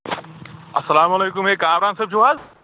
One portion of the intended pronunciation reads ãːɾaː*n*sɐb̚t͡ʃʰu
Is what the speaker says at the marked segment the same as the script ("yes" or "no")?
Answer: yes